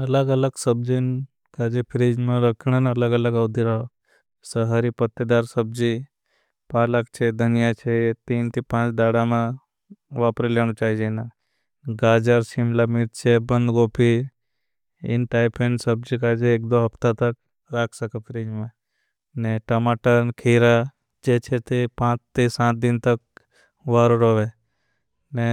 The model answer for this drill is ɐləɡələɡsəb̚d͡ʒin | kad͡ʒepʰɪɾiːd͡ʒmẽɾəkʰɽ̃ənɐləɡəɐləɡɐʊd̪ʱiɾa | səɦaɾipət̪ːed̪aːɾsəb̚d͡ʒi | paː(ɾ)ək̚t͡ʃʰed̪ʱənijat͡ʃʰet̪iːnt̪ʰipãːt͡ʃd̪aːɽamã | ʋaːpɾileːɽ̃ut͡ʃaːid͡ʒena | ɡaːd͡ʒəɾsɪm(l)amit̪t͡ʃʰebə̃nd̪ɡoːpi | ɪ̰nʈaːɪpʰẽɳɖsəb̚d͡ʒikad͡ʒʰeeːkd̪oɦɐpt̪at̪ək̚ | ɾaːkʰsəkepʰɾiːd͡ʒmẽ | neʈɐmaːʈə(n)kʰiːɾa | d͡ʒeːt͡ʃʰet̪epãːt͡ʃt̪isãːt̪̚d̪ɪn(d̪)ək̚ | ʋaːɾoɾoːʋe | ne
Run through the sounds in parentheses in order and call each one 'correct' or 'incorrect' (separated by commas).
incorrect, correct, correct, incorrect